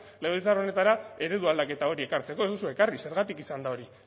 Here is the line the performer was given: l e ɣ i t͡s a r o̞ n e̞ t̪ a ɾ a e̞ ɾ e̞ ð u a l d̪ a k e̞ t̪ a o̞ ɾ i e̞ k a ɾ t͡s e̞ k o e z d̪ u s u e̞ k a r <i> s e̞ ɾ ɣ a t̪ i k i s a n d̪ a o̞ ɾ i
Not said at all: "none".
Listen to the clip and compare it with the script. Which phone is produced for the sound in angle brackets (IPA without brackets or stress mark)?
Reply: i